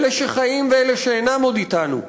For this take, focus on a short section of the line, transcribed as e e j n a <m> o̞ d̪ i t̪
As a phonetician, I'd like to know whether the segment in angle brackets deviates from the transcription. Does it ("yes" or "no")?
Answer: no